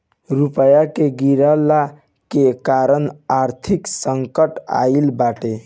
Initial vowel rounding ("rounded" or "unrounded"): rounded